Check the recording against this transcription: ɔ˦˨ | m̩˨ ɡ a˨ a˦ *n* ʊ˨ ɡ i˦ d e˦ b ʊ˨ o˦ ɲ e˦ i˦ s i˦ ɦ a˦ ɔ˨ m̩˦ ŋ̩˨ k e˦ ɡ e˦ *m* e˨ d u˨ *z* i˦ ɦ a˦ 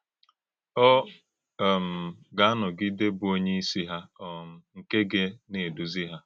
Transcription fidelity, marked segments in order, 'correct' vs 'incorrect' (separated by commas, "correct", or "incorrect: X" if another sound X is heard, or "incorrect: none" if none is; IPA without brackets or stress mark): correct, incorrect: n, correct